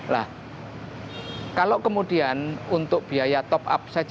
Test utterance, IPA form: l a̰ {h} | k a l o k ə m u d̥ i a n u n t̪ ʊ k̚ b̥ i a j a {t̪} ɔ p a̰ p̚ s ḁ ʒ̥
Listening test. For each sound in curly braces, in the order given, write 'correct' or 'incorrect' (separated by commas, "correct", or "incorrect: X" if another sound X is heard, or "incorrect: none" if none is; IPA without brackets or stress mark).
correct, correct